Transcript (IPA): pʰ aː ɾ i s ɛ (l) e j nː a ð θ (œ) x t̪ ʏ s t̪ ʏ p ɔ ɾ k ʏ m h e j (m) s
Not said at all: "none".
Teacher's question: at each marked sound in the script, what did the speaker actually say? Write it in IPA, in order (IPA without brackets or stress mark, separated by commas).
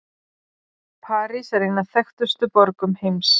ɾ, ɛ, m